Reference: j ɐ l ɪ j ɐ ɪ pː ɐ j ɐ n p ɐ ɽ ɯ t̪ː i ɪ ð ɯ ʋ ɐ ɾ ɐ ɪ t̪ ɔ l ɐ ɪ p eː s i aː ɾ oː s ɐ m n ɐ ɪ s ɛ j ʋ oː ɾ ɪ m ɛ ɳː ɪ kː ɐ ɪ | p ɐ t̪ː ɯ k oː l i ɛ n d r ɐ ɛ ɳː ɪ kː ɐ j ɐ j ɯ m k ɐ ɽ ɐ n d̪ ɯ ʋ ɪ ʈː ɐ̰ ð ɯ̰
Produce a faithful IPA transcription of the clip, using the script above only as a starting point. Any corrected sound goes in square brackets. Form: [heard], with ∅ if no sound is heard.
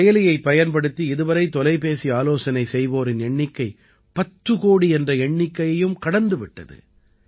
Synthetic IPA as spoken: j ɐ l ɪ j ɐ ɪ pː ɐ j ɐ n p ɐ ɽ ɯ t̪ː i ɪ ð ɯ ʋ ɐ ɾ ɐ ɪ t̪ ɔ l ɐ ɪ p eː s i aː [l] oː s ɐ [∅] n ɐ ɪ s ɛ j ʋ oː ɾ ɪ [n] ɛ ɳː ɪ kː ɐ ɪ | p ɐ t̪ː ɯ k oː [ɽ] i ɛ n d r ɐ ɛ ɳː ɪ kː ɐ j ɐ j ɯ m k ɐ ɽ ɐ n d̪ ɯ ʋ ɪ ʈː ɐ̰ ð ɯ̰